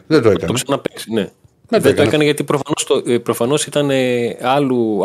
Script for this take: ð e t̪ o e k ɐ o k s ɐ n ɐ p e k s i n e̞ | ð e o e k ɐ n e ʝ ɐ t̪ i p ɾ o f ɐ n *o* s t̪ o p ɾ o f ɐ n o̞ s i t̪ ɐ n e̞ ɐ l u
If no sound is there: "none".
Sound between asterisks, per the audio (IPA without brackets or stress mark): o